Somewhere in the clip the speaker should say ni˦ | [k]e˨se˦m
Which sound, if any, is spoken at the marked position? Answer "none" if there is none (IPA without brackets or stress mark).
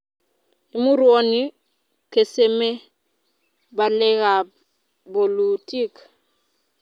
k